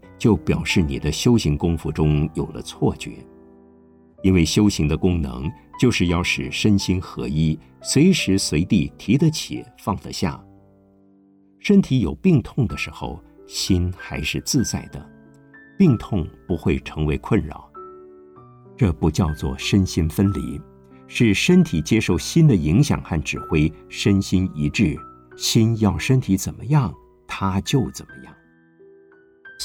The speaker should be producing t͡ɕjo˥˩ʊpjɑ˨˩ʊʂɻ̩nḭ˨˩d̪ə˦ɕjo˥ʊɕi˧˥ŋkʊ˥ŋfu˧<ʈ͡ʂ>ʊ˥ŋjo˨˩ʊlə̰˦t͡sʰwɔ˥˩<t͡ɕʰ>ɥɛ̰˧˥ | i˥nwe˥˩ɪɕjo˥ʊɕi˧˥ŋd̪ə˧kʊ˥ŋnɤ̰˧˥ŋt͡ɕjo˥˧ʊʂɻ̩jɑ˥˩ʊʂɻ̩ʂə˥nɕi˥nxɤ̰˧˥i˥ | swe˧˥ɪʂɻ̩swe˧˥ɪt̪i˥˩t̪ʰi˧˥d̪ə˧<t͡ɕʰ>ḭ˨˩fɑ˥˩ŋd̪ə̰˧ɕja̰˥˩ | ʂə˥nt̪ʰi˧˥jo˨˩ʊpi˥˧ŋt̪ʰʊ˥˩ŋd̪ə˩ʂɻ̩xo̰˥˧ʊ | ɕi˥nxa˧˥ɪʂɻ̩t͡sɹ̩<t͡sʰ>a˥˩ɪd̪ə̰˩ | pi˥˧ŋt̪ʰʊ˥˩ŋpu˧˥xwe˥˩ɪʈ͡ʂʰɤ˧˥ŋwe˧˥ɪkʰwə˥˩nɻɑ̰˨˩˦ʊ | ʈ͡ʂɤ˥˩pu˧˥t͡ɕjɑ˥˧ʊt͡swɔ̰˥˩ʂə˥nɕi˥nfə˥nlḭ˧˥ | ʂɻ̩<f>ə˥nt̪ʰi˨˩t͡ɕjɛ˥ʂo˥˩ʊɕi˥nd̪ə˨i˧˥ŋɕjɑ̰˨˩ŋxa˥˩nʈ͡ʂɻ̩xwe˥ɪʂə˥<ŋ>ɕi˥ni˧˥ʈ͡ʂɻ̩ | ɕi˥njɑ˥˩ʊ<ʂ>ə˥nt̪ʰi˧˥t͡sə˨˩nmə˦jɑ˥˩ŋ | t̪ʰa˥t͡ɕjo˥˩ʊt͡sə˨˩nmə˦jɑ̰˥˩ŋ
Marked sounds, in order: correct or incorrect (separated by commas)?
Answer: correct, incorrect, correct, incorrect, incorrect, incorrect, correct